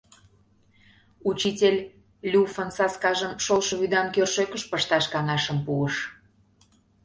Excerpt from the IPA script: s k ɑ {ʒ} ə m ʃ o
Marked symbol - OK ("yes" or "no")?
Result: yes